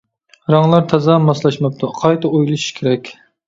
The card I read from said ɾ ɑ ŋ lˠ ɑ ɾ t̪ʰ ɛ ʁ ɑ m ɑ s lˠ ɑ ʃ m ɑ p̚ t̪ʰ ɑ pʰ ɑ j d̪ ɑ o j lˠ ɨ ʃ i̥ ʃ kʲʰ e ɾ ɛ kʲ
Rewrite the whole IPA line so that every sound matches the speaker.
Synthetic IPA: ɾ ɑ ŋ lˠ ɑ ɾ t̪ʰ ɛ z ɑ m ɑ s lˠ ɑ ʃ m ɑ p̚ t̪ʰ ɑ qʰ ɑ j t̪ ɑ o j lˠ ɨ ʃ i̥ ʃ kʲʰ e ɾ ɛ kʲ